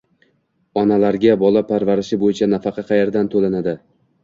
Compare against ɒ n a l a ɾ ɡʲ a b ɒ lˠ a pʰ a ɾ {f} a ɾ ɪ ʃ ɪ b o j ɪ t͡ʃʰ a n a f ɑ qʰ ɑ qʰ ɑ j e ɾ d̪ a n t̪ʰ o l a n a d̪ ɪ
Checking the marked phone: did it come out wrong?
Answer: yes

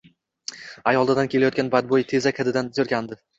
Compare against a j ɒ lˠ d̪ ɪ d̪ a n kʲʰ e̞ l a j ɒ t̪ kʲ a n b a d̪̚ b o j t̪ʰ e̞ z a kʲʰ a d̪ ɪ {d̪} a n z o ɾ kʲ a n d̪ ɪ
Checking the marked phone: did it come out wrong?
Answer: no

